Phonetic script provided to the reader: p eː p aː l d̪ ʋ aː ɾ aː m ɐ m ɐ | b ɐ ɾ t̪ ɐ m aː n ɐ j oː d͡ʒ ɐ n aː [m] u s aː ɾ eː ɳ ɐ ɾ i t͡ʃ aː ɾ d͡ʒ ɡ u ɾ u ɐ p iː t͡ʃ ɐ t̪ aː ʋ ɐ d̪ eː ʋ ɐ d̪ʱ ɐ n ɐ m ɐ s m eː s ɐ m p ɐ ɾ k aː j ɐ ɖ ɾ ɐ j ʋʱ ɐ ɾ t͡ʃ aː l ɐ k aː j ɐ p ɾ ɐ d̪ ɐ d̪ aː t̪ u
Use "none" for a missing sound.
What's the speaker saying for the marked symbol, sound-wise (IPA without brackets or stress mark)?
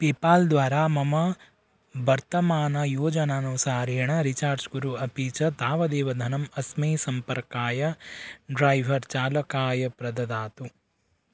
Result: n